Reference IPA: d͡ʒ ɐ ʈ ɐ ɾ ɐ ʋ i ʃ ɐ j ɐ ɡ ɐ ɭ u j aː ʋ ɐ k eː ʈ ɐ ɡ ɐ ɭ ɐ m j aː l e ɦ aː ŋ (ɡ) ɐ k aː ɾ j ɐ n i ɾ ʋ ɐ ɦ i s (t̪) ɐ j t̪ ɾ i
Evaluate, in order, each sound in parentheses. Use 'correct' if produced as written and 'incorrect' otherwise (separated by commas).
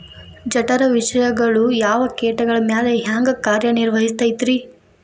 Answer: correct, correct